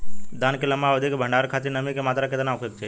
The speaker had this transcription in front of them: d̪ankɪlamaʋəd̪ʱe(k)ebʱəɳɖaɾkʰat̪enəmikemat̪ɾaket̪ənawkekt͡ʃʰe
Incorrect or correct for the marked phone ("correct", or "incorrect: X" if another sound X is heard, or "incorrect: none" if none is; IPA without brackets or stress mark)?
correct